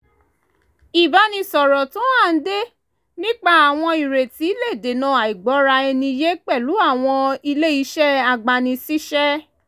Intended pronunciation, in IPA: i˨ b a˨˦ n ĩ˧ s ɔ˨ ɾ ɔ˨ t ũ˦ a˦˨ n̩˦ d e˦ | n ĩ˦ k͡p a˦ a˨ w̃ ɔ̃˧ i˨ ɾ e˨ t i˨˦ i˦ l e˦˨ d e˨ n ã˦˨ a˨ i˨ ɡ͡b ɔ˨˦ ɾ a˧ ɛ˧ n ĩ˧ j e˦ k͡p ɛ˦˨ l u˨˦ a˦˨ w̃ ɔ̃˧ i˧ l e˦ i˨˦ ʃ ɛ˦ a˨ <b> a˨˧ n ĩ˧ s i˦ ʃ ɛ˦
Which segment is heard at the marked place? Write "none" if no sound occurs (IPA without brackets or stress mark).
ɡ͡b